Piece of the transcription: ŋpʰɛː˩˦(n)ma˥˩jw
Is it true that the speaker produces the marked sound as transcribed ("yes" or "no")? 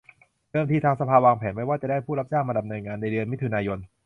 yes